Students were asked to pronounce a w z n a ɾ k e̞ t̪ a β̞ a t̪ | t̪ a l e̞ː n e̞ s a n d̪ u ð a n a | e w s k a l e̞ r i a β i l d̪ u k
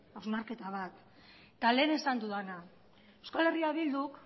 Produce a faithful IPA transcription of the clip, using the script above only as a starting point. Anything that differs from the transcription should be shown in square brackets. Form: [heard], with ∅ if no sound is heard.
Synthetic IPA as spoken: a w z n a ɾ k e̞ t̪ a β̞ a t̪ | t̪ a l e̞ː n e̞ s a n d̪ u ð a n a | e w s k a l e̞ r i a β i l d̪ u k

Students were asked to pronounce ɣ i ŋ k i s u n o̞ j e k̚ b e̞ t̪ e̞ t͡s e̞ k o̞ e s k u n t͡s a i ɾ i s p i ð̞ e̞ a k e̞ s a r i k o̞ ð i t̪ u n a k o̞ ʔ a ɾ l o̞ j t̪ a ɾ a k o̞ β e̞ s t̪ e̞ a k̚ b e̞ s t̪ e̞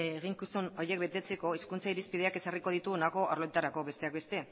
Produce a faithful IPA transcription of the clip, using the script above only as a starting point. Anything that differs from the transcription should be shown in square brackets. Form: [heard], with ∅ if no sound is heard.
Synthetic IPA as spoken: ɣ i ŋ k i s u n o̞ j e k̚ b e̞ t̪ e̞ t͡s e̞ k o̞ [i] s k u n t͡s a i ɾ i s p i ð̞ e̞ a k e̞ s a r i k o̞ ð i t̪ u n a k o̞ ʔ a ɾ l o̞ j t̪ a ɾ a k o̞ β e̞ s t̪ e̞ a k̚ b e̞ s t̪ e̞

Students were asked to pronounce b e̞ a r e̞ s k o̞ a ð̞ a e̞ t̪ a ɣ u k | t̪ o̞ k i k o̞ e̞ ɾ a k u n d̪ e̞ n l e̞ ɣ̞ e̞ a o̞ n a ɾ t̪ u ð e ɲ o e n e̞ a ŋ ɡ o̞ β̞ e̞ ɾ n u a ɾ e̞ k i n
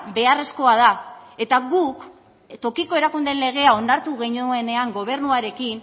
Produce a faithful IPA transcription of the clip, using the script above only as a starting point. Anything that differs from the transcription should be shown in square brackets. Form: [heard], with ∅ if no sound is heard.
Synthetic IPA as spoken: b e̞ a r e̞ s k o̞ a ð̞ a e̞ t̪ a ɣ u k | t̪ o̞ k i k o̞ e̞ ɾ a k u n d̪ e̞ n l e̞ ɣ̞ e̞ a o̞ n a ɾ t̪ u [ɣ] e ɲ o e n e̞ a ŋ ɡ o̞ β̞ e̞ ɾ n u a ɾ e̞ k i n

